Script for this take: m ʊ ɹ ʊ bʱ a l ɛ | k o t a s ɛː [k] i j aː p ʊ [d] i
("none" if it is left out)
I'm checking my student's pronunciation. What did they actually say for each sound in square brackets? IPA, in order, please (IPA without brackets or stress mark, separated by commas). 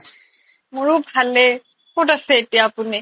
t, n